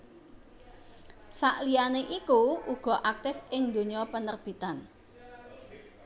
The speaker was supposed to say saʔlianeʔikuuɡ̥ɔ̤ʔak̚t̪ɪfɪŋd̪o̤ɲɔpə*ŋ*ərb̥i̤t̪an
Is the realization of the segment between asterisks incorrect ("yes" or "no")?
yes